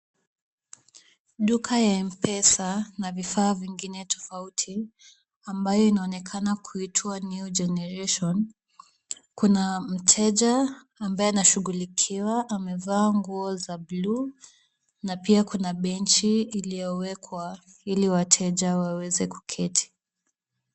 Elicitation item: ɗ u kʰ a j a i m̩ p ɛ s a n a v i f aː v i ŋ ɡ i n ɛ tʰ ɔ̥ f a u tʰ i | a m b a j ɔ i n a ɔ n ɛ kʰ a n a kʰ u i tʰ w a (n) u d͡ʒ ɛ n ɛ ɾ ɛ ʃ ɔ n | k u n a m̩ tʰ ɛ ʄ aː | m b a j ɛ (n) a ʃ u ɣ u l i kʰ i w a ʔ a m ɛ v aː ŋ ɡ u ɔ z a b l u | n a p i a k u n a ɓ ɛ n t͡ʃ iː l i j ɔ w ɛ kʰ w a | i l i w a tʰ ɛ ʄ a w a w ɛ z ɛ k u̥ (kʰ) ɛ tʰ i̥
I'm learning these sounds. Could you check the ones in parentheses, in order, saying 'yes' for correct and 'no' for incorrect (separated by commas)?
yes, yes, yes